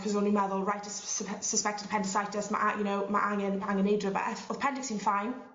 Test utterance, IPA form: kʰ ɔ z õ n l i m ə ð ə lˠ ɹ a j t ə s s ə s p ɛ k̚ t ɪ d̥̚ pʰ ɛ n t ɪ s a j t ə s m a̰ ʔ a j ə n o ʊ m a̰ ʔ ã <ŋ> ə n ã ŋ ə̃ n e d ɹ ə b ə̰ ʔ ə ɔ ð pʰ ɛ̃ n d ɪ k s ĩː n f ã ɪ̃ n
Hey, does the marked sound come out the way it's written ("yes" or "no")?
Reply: yes